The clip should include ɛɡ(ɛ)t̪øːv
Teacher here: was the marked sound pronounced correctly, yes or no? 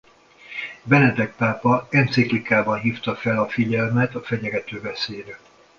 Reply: yes